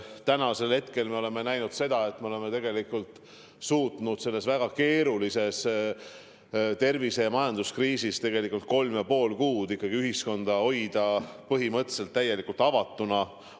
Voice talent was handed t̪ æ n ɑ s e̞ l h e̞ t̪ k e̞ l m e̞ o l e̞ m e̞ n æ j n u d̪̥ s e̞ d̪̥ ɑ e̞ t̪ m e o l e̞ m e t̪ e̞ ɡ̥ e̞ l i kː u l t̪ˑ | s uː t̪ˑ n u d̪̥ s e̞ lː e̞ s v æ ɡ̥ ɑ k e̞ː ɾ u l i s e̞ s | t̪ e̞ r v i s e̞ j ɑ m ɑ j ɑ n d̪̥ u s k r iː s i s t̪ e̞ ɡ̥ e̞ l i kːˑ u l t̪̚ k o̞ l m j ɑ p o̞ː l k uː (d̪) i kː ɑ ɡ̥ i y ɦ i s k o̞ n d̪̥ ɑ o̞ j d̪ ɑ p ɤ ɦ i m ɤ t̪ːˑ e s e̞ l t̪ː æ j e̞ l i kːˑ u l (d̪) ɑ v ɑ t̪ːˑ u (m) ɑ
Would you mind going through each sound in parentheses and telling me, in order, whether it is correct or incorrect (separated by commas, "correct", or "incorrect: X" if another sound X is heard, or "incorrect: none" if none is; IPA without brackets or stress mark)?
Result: correct, incorrect: t̪, incorrect: n